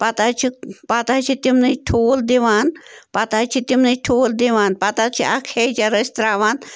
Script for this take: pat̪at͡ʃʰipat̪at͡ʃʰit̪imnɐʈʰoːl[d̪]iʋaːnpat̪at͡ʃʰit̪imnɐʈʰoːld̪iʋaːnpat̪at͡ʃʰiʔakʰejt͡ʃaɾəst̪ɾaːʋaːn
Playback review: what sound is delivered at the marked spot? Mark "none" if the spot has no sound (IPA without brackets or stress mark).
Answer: d̪